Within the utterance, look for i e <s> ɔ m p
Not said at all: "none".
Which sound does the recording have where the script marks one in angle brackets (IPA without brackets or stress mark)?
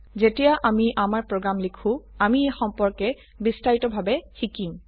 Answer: x